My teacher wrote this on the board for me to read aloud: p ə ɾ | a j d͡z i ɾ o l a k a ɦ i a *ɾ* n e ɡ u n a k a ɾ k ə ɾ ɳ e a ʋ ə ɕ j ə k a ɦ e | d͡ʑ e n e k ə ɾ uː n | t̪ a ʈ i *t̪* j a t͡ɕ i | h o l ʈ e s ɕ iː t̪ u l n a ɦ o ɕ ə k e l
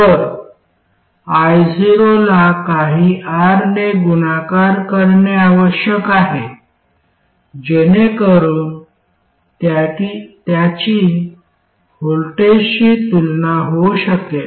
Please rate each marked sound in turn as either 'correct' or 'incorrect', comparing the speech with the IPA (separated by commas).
correct, correct